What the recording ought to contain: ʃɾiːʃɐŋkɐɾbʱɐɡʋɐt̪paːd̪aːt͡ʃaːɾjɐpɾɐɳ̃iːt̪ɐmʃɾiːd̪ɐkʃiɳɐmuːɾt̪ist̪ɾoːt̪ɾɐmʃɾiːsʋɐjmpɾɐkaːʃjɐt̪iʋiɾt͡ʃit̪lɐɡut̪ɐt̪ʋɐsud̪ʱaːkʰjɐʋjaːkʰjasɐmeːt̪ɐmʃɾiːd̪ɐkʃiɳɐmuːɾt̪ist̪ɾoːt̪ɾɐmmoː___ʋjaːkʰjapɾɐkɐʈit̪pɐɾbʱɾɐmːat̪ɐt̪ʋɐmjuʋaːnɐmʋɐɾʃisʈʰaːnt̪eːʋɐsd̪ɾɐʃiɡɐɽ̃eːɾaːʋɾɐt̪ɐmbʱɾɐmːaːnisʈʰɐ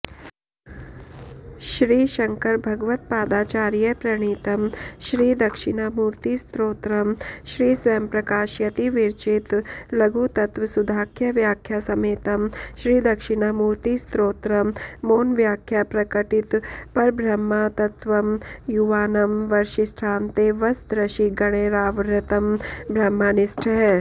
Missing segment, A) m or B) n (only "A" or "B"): B